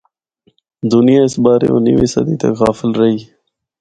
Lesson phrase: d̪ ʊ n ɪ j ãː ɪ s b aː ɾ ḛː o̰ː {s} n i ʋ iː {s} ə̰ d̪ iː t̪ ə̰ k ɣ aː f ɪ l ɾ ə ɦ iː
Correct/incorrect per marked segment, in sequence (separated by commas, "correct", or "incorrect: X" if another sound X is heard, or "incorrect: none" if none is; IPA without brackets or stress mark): incorrect: none, correct